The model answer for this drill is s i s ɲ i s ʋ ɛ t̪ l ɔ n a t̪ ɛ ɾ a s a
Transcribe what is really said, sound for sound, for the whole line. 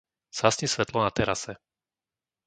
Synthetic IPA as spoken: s a s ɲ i s ʋ ɛ t̪ l ɔ n a t̪ ɛ ɾ a s ɛ